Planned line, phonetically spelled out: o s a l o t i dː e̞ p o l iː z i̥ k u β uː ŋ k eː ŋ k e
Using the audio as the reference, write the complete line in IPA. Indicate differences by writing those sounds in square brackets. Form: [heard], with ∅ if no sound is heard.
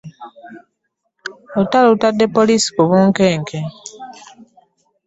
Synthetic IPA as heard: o [t] a l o t [a] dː e̞ p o l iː [s] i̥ k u β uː ŋ k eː ŋ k e